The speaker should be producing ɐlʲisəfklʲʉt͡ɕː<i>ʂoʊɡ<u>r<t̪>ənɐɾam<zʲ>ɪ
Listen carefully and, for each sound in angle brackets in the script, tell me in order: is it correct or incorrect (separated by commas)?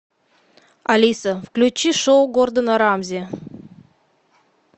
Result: correct, incorrect, incorrect, correct